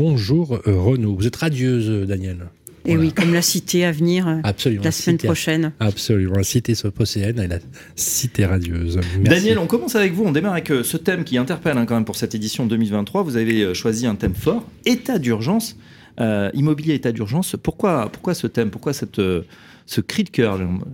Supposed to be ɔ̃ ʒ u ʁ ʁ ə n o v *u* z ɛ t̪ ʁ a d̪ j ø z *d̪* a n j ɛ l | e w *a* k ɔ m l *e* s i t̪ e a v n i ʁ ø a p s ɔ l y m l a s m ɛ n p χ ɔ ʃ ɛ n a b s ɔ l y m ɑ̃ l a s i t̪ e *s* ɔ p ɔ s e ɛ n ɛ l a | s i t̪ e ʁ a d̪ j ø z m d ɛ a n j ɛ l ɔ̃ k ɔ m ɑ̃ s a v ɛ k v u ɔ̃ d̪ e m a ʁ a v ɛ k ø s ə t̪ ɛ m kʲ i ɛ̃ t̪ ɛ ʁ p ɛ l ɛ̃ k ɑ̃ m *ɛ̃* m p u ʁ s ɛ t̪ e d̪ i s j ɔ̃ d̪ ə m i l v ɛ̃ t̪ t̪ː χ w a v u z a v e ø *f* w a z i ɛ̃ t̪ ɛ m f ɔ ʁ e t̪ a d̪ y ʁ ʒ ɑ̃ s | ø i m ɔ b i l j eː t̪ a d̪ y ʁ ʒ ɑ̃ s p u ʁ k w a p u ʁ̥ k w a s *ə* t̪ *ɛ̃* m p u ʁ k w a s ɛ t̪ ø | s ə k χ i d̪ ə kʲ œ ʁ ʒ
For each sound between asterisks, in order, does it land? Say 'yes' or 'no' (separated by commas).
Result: yes, yes, no, no, yes, no, no, yes, no